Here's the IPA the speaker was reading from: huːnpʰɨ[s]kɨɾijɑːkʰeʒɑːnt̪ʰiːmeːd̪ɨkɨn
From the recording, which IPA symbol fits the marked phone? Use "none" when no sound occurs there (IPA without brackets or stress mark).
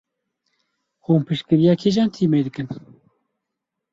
ʃ